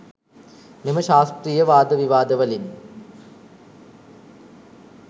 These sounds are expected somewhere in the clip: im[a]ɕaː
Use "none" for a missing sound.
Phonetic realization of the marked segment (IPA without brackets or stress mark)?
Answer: ɐ